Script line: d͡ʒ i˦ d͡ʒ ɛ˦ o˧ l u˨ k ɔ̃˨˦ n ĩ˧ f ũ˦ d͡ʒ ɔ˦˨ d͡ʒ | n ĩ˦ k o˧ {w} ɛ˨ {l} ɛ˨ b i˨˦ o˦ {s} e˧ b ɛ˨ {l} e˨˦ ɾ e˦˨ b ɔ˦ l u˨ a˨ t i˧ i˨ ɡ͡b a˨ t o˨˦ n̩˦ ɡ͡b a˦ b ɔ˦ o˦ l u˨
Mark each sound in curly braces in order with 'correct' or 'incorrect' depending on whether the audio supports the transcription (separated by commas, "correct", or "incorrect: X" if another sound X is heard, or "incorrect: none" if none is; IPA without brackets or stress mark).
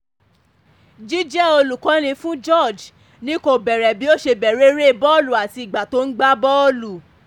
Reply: incorrect: b, incorrect: ɾ, incorrect: ʃ, incorrect: ɾ